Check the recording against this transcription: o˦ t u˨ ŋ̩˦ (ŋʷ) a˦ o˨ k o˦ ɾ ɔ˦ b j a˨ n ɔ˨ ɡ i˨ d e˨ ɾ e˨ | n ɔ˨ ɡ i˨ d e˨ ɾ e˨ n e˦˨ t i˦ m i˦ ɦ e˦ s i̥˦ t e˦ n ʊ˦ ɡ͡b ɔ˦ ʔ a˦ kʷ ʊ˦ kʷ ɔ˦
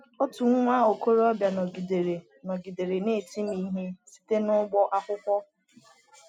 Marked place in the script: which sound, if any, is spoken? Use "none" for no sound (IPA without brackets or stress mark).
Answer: ŋʷ